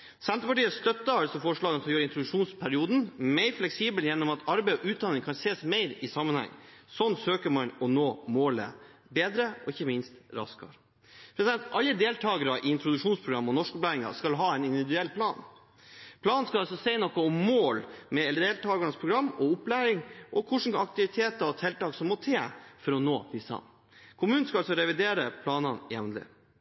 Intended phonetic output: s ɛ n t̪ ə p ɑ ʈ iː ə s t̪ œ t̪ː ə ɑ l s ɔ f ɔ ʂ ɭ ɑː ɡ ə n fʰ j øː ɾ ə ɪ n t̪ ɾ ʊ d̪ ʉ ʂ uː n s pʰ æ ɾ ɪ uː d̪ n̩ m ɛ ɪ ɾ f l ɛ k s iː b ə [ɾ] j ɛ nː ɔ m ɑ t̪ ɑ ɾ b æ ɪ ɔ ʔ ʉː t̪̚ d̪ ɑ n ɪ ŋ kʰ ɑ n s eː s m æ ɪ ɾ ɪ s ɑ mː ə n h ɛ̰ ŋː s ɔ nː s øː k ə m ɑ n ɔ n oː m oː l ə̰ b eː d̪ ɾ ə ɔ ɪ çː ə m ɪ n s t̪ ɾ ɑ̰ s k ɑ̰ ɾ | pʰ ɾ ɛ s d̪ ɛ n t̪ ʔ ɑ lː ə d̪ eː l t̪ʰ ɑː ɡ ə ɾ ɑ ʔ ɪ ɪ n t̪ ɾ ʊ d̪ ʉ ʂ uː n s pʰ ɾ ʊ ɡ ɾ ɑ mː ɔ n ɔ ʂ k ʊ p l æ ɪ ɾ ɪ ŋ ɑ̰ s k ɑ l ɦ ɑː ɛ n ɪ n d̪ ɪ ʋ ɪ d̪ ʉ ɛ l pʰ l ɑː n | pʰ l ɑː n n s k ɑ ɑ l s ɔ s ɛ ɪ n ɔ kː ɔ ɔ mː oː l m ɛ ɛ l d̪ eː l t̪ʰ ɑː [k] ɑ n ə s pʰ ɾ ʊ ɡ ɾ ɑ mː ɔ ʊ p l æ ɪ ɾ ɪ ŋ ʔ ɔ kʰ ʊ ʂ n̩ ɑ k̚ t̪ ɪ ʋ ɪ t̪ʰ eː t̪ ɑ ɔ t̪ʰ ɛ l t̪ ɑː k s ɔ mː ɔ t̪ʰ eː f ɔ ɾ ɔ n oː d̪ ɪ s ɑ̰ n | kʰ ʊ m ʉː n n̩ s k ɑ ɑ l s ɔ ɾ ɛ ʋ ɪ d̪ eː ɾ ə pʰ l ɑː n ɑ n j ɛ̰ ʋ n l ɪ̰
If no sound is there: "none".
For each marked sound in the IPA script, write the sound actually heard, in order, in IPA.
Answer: l, ɡ

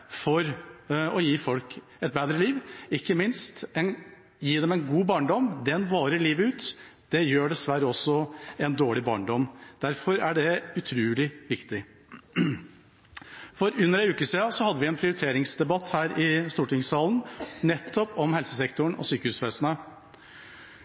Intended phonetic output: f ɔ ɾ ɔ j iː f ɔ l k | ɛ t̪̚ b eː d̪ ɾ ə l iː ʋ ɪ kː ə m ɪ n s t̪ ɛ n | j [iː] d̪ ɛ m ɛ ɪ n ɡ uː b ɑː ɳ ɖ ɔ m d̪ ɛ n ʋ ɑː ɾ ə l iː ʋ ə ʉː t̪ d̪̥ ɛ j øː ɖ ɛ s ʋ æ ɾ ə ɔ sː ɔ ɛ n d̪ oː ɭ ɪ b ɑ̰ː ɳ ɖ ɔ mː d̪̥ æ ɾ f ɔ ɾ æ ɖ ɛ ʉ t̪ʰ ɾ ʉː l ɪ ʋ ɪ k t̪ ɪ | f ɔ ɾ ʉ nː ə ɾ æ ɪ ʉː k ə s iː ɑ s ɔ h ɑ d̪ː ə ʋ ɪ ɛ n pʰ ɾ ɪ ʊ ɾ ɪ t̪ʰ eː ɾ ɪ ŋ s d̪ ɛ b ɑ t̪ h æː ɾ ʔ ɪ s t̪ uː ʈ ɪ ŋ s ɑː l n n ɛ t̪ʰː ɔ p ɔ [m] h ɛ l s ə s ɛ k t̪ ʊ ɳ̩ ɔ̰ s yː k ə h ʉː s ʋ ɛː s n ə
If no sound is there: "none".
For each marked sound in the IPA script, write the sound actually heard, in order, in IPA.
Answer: iː, m

